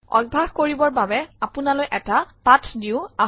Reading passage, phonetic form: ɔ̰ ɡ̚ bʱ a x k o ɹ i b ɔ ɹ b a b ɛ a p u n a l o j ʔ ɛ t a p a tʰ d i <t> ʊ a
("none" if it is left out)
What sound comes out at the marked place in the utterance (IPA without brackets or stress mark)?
none